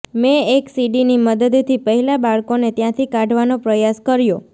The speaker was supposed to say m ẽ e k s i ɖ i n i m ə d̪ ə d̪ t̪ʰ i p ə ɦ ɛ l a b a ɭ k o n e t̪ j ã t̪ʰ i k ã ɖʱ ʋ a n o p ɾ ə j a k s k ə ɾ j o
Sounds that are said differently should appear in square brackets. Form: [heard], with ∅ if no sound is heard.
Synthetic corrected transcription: m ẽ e k s i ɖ i n i m ə d̪ ə d̪ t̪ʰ i p ə ɦ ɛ l a b a ɭ k o n e t̪ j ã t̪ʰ i k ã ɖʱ ʋ a n o p ɾ ə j a [∅] s k ə ɾ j o

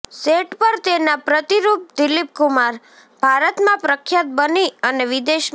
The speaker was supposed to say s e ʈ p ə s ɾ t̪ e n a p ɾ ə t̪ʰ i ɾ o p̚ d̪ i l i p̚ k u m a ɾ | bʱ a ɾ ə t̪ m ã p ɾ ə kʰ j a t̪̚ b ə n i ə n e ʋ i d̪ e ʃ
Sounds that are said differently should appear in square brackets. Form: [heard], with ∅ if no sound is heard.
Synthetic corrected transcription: s e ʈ p ə [∅] ɾ t̪ e n a p ɾ ə [t̪] i ɾ [u] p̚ d̪ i l i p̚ k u m a ɾ | bʱ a ɾ ə t̪ m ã p ɾ ə kʰ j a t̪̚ b ə n i ə n e ʋ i d̪ e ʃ

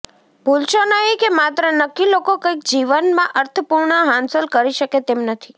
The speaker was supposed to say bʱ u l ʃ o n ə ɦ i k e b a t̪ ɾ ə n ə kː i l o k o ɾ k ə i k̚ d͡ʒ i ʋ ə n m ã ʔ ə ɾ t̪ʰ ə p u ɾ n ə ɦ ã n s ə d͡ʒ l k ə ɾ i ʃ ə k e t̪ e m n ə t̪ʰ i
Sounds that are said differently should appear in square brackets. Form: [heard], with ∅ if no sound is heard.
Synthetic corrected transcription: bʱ u l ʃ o n ə ɦ i k e [m] a t̪ ɾ ə n ə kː i l o k o [∅] k ə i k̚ d͡ʒ i ʋ ə n m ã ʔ ə ɾ t̪ʰ ə p u ɾ [ɳ] ə ɦ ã n s ə [∅] l k ə ɾ i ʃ ə k e t̪ e m n ə t̪ʰ i

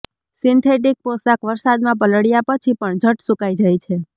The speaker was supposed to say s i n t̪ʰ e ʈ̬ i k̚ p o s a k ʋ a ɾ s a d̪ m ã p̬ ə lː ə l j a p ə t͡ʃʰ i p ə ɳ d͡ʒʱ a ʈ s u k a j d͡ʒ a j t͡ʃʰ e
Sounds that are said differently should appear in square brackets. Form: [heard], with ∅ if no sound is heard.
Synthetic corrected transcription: s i n t̪ʰ e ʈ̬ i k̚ p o s a k ʋ [ə] ɾ s a d̪ m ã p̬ ə [l] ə [ɽ] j a p ə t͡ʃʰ i p ə ɳ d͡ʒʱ [ə] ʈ s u k a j d͡ʒ a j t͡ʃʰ e

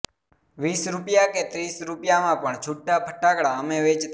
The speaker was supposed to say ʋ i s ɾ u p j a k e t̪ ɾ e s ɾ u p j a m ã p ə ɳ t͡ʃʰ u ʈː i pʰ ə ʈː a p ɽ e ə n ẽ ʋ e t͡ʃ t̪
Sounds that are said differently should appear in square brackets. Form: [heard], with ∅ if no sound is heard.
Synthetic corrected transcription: ʋ i s ɾ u p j a k e t̪ ɾ [i] s ɾ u p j a m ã p ə ɳ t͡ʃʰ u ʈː [a] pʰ ə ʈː a [k] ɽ [a] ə [m] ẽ ʋ e t͡ʃ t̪

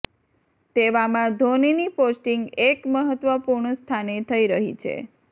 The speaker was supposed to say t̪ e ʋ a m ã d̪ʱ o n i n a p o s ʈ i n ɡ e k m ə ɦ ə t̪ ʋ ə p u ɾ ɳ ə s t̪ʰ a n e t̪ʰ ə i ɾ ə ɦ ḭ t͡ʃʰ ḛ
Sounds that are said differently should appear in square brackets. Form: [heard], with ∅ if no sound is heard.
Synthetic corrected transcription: t̪ e ʋ a m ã d̪ʱ o n i n [i] p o s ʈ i [ŋ] ɡ e k m ə ɦ ə t̪ ʋ ə p u ɾ ɳ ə s t̪ʰ a n e t̪ʰ ə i ɾ ə ɦ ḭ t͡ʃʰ ḛ

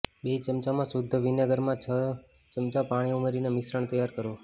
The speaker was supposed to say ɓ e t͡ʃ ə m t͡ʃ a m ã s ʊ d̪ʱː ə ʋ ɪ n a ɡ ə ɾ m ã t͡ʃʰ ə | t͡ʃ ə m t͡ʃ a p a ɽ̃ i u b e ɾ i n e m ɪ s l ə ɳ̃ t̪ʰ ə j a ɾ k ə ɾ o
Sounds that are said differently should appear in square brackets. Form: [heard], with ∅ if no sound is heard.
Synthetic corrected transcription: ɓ e t͡ʃ ə m t͡ʃ a m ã s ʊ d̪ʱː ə ʋ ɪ n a ɡ ə ɾ m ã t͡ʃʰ ə | t͡ʃ ə m t͡ʃ a p a ɽ̃ i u [m] e ɾ i n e m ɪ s [ɾ] ə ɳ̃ [t̪] ə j a ɾ k ə ɾ o

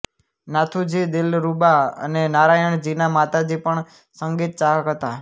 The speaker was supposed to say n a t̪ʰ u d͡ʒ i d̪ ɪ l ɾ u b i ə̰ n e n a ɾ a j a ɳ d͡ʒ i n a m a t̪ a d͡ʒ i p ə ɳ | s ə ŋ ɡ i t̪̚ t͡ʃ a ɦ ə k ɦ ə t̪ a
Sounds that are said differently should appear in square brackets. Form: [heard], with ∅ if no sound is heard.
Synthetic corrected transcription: n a t̪ʰ u d͡ʒ i d̪ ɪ l ɾ u b [a] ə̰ n e n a ɾ a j [ə] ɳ d͡ʒ i n a m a t̪ a d͡ʒ i p ə ɳ | s ə ŋ ɡ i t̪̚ t͡ʃ a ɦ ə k ɦ ə t̪ a

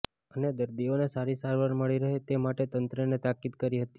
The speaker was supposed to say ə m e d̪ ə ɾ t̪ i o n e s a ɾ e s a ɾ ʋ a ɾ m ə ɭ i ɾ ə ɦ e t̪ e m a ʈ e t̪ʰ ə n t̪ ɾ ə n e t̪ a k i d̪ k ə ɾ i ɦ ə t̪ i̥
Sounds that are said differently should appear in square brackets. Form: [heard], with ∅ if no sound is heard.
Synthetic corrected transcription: ə [n] e d̪ ə ɾ [d̪] i o n e s a ɾ [i] s a ɾ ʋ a ɾ m ə ɭ i ɾ ə ɦ e t̪ e m a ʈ e [t̪] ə n t̪ ɾ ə n e t̪ a k i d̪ k ə ɾ i ɦ ə t̪ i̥

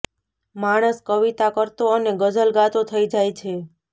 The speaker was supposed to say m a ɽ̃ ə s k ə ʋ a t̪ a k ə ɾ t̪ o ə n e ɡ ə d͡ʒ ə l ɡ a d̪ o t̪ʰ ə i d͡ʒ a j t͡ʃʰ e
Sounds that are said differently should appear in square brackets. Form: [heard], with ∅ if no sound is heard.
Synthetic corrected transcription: m a ɽ̃ ə s k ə ʋ [i] t̪ a k ə ɾ t̪ o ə n e ɡ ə d͡ʒ ə l ɡ a [t̪] o t̪ʰ ə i d͡ʒ a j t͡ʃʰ e

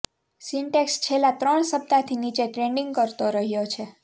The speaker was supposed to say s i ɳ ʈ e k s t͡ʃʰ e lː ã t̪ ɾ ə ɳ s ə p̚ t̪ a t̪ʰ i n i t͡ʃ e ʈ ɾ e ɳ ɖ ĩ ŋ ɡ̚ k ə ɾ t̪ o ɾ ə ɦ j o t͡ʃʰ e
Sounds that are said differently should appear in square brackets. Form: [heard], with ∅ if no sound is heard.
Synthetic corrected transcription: s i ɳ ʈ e k s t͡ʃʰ e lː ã t̪ ɾ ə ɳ s ə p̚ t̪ a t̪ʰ i n i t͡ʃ e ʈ ɾ e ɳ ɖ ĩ ŋ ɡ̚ k ə ɾ t̪ o ɾ ə ɦ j o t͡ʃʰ e

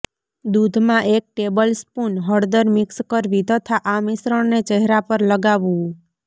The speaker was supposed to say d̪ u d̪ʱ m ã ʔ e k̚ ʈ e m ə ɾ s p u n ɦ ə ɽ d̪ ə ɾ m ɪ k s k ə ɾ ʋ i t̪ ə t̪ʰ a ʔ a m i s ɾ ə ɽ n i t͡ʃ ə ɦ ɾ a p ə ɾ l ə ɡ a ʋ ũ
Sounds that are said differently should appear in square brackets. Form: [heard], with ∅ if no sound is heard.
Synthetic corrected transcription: d̪ u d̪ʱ m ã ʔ e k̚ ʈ e [b] ə [l] s p u n ɦ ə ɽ d̪ ə ɾ m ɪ k s k ə ɾ ʋ i t̪ ə t̪ʰ a ʔ a m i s ɾ ə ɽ n [e] t͡ʃ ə ɦ ɾ a p ə ɾ l ə ɡ a ʋ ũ

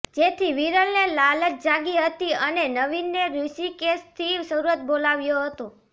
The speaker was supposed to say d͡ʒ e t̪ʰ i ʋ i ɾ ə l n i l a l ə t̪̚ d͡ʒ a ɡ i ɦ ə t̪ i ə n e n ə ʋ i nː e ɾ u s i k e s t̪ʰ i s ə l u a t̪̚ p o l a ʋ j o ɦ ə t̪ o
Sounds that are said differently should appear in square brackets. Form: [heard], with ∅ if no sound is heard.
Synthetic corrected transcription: d͡ʒ e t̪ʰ i ʋ i ɾ ə l n [e] l a l ə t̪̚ d͡ʒ a ɡ i ɦ ə t̪ i ə n e n ə ʋ i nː e ɾ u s i k e s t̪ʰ i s ə [ɾ] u [ə] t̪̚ [b] o l a ʋ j o ɦ ə t̪ o

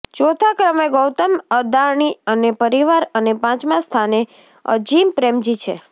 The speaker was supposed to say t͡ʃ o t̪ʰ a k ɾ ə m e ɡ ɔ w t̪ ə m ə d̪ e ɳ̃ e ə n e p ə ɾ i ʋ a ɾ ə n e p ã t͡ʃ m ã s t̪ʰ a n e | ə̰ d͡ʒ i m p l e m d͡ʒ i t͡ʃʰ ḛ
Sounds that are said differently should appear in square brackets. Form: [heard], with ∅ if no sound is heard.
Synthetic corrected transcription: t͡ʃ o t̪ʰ a k ɾ ə m e ɡ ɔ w t̪ ə m ə d̪ [a] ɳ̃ [i] ə n e p ə ɾ i ʋ a ɾ ə n e p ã t͡ʃ m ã s t̪ʰ a n e | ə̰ d͡ʒ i m p [ɾ] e m d͡ʒ i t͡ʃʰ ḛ

